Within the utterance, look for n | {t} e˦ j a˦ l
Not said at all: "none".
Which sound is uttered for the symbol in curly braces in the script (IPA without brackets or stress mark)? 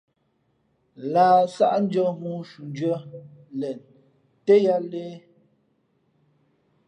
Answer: t